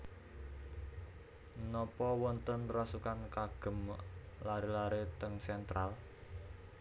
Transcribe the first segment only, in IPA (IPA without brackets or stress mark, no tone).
n